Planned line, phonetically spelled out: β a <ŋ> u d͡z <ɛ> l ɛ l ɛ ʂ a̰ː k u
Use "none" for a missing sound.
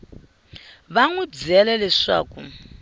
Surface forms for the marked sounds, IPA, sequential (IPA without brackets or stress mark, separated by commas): ŋ, ɛ